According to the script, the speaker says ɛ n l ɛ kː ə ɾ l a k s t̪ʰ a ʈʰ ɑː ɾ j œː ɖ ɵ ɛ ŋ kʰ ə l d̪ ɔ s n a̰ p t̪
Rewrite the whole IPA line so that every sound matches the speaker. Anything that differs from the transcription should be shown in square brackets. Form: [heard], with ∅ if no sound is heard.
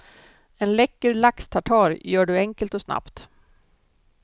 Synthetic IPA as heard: ɛ n l ɛ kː ə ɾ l a k s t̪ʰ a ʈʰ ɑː ɾ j œː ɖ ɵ ɛ ŋ [k] ə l [t̪] ɔ s n a̰ p t̪